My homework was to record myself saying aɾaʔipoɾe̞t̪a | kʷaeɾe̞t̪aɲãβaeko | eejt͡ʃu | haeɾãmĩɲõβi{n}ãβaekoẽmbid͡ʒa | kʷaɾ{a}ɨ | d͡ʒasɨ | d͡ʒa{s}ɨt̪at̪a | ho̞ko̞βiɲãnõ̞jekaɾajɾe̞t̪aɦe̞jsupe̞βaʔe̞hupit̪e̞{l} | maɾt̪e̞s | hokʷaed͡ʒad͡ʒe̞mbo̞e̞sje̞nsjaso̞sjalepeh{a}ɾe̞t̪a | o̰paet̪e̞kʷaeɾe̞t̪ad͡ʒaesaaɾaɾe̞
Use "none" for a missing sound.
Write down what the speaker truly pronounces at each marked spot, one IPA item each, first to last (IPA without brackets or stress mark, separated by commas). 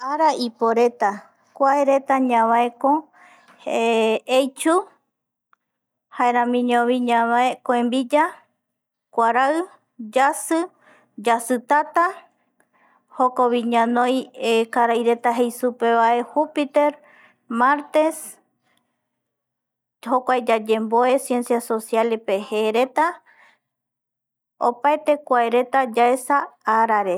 ɲ, a, s, ɾ, e